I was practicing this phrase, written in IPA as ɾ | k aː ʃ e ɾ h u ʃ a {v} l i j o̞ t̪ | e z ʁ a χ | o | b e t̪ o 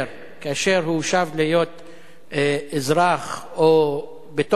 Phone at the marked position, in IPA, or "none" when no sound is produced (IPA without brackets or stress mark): v